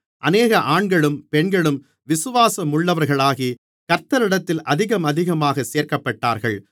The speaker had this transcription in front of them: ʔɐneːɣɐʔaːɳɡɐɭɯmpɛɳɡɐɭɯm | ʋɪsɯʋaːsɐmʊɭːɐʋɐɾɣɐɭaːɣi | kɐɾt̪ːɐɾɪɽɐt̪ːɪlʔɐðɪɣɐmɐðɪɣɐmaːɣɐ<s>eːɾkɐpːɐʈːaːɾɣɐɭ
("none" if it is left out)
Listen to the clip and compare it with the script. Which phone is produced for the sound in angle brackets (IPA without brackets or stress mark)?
s